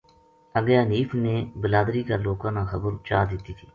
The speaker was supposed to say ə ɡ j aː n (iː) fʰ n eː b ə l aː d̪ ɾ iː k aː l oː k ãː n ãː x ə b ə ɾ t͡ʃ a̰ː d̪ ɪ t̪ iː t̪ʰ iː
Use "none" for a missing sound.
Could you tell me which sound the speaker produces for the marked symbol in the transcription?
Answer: iː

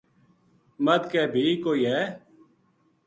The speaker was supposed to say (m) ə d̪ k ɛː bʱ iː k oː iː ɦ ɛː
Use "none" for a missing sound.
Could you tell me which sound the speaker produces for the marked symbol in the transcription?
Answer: m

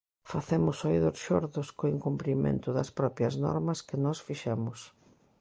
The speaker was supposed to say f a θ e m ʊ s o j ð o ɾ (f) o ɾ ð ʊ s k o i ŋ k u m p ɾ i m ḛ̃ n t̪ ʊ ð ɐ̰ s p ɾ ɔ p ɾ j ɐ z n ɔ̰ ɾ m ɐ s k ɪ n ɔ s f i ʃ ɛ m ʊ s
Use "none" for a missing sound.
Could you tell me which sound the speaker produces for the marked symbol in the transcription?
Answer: ʃ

